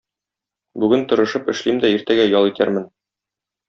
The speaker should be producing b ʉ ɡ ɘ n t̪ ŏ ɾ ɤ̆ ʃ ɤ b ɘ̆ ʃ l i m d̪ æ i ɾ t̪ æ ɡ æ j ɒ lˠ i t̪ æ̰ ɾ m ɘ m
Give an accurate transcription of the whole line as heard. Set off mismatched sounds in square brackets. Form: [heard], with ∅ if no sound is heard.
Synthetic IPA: b ʉ ɡ ɘ n t̪ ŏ ɾ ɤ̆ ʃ ɤ [p] ɘ̆ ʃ l i m d̪ æ i ɾ t̪ æ ɡ æ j ɒ lˠ i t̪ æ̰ ɾ m ɘ [n]